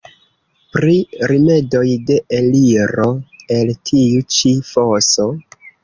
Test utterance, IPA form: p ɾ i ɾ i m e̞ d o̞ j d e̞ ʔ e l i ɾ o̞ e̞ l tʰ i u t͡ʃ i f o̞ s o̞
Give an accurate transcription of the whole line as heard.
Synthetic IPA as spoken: p ɾ i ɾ i m e̞ d o̞ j d e̞ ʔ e l i ɾ o̞ e̞ l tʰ i u t͡ʃ i f o̞ s o̞